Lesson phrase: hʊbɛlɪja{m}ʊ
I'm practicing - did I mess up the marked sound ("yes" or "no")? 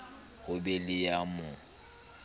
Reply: no